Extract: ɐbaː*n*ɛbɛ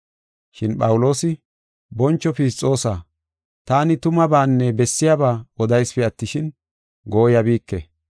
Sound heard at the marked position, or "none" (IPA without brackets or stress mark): nː